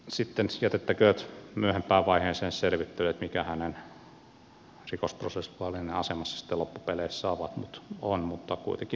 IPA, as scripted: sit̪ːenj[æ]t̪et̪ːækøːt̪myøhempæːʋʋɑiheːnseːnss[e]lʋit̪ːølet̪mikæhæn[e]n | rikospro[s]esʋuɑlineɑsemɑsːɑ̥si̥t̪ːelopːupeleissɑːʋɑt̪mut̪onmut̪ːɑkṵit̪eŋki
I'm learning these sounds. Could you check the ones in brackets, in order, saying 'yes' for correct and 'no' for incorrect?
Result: yes, yes, yes, yes

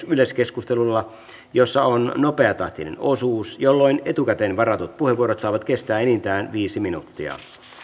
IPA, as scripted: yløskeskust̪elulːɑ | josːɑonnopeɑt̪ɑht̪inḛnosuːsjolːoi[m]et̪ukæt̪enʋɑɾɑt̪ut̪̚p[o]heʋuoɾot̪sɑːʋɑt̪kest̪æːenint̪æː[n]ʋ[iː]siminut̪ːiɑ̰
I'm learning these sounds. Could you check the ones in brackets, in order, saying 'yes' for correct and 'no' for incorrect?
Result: no, no, yes, yes

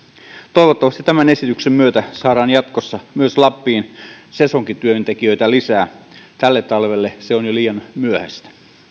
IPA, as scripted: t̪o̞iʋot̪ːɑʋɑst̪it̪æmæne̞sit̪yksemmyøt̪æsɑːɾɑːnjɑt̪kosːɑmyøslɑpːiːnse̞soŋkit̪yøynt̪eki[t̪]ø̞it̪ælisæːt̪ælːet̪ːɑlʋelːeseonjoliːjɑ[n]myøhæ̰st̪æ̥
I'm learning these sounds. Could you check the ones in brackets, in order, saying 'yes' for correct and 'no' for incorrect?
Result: no, yes

